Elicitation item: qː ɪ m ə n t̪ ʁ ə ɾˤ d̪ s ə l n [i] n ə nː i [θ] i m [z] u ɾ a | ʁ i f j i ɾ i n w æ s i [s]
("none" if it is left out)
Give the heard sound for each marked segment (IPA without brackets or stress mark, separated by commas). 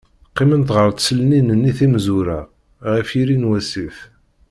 i, θ, z, f